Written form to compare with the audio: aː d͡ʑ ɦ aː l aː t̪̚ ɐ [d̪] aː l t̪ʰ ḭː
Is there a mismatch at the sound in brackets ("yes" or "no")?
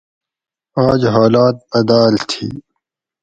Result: no